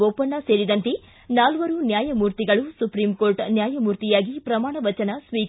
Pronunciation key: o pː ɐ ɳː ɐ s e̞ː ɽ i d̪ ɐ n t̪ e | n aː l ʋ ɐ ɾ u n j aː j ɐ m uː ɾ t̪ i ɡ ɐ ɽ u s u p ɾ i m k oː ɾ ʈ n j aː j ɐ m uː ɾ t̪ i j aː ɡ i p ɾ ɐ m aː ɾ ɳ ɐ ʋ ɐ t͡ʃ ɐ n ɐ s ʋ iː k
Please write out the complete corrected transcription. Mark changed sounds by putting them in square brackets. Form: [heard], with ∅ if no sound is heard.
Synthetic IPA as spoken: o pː ɐ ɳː ɐ s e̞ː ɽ i d̪ ɐ n t̪ e | n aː l ʋ ɐ ɾ u n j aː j ɐ m uː ɾ t̪ i ɡ ɐ [ɭ] u s u p ɾ i m k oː ɾ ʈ n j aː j ɐ m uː ɾ t̪ i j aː ɡ i p ɾ ɐ m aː [∅] ɳ ɐ ʋ ɐ t͡ʃ ɐ n ɐ s ʋ iː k